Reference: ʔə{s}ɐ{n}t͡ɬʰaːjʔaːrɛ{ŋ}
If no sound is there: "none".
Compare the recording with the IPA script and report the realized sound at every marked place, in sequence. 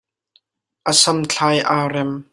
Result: s, m, m

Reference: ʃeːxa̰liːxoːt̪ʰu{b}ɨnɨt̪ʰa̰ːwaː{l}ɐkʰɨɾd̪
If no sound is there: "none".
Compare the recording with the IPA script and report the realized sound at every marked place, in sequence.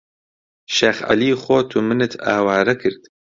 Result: m, ɾ

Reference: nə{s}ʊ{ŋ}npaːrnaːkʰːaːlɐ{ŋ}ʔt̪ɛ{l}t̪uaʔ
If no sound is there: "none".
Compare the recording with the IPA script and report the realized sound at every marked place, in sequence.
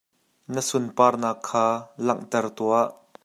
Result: s, none, ŋ, r

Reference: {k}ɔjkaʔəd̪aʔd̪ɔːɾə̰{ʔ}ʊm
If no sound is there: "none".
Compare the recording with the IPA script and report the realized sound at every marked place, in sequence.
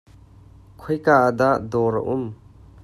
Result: kʰ, ʔ

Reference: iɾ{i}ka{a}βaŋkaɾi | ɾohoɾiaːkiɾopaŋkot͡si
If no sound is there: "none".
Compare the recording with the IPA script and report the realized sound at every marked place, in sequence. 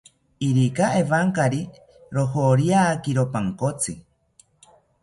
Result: i, e

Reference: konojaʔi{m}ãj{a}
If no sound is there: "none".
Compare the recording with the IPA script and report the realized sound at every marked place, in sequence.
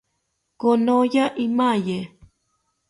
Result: m, e

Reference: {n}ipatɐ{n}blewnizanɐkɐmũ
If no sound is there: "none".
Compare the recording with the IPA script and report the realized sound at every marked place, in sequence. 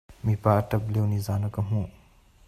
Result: m, none

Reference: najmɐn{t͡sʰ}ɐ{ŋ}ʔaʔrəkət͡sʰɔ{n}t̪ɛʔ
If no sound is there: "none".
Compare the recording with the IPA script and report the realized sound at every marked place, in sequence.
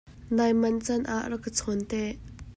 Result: t͡s, n, n

